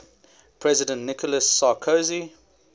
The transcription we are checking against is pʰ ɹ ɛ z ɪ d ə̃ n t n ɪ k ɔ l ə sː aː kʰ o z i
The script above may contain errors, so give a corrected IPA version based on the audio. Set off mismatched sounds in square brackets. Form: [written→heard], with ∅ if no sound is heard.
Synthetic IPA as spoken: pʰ ɹ ɛ z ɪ d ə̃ n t n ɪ k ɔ l ə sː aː kʰ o z i